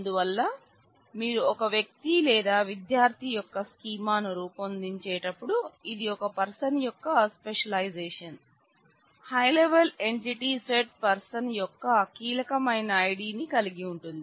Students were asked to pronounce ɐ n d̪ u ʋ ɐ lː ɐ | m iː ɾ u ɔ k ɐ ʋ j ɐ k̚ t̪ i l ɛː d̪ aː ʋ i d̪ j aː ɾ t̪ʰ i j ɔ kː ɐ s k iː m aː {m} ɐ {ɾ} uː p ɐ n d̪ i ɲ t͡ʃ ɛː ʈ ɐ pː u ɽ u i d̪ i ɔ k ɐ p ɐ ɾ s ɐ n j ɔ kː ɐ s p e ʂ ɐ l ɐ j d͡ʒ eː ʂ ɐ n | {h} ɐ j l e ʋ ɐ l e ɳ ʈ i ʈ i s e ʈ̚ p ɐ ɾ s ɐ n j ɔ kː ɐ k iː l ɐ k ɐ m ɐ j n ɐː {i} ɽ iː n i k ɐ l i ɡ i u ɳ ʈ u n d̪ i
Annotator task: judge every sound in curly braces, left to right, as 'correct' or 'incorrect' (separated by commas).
incorrect, correct, correct, incorrect